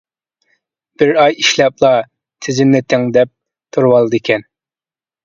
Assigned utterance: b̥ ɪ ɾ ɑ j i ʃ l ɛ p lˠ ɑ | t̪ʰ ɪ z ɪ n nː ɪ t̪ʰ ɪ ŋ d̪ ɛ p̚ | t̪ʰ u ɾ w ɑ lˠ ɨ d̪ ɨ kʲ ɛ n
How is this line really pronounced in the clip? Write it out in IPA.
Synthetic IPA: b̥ ɪ ɾ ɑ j i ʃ l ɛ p lˠ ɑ | t̪ʰ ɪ z ɪ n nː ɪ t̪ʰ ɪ ŋ d̪ ɛ p̚ | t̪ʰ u ɾ w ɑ lˠ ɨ d̪ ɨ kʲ ɛ n